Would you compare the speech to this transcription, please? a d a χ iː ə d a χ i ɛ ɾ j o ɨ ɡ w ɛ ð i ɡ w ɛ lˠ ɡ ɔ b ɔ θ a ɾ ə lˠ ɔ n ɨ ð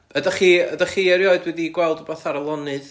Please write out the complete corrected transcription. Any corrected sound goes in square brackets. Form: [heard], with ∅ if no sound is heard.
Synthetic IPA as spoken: [ə] d a χ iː ə d a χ i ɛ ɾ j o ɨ [d] w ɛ ð i ɡ w ɛ lˠ [d] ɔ b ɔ θ a ɾ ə lˠ ɔ n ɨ ð

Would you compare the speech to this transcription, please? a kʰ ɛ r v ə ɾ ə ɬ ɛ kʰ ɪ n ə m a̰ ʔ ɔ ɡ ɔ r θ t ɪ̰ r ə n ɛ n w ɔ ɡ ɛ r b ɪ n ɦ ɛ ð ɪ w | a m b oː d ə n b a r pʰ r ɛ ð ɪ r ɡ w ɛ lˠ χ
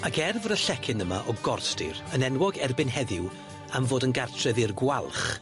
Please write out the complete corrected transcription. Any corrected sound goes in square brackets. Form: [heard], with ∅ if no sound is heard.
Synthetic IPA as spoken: a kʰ ɛ r v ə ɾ ə ɬ ɛ kʰ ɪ n ə m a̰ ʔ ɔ ɡ ɔ r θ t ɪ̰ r ə n ɛ n w ɔ ɡ ɛ r b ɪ n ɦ ɛ ð ɪ w | a m [v] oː d ə n [ɡ] a r [tʰ] r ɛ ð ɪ r ɡ w [a] lˠ χ

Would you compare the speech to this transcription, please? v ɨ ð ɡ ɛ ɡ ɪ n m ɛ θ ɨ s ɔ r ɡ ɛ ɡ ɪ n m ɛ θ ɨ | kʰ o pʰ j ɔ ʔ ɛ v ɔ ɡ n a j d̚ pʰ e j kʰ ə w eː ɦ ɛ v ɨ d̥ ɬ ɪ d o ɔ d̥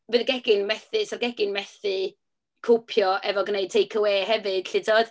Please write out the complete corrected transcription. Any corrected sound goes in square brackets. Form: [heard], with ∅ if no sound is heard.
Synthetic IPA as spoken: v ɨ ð ɡ ɛ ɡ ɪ n m ɛ θ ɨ s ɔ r ɡ ɛ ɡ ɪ n m ɛ θ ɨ | kʰ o pʰ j ɔ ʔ ɛ v ɔ ɡ n [e] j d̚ [tʰ] e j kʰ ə w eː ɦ ɛ v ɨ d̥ ɬ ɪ d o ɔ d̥

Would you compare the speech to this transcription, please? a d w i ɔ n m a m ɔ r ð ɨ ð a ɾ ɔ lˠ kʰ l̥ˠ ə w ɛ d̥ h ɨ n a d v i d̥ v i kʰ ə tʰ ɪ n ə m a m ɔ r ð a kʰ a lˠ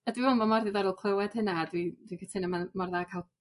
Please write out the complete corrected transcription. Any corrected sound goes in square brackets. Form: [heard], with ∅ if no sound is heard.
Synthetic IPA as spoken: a d w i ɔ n m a m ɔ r ð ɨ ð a ɾ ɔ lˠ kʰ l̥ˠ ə w ɛ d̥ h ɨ n a d [w] i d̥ [w] i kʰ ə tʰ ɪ n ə m a m ɔ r ð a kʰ a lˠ

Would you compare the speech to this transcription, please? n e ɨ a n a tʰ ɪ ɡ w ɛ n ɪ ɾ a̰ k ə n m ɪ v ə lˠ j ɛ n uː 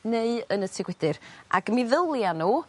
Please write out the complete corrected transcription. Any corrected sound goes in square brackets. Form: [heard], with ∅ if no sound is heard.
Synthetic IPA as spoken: n e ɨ [ə] n [ə] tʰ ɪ ɡ w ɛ [d] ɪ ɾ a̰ [ɡ] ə [∅] m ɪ [ð] ə lˠ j [a] n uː

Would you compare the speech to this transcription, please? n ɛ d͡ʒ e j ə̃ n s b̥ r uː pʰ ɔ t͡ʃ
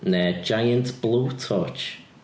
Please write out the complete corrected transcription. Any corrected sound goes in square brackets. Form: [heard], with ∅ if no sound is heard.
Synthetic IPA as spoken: n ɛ d͡ʒ [a] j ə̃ n [t] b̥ [l] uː [tʰ] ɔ t͡ʃ

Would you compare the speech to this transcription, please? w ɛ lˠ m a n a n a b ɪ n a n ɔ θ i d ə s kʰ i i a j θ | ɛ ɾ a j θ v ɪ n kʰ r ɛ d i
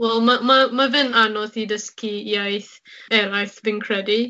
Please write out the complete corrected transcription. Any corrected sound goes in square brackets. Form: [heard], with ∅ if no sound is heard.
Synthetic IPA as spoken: w ɛ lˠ m a [m] a [m] a [v] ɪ n a n ɔ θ i d ə s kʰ i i a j θ | ɛ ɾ a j θ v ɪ n kʰ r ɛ d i

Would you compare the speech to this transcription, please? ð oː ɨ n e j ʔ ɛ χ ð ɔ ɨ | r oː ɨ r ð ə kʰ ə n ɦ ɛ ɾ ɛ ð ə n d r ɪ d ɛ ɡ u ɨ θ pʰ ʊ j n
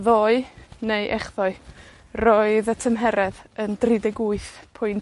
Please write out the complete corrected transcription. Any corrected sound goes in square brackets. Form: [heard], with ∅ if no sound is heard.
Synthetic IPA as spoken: ð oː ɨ n e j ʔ ɛ χ ð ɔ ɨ | r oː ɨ [∅] ð ə [tʰ] ə [m] ɦ ɛ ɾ ɛ ð ə n d r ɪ d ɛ ɡ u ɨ θ pʰ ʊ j n

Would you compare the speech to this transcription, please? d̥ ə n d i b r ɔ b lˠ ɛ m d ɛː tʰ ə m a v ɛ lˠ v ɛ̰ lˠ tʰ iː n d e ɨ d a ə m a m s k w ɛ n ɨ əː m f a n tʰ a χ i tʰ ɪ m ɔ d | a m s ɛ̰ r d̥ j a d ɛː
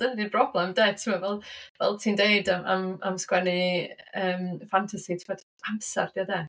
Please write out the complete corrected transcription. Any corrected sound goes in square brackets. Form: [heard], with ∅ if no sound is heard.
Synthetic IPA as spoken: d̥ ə n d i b r ɔ b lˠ ɛ m d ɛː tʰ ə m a v ɛ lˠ v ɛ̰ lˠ tʰ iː n d e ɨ d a [a] m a m s k w ɛ n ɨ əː m f a n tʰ a [s] i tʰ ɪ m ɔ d | a m s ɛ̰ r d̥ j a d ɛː

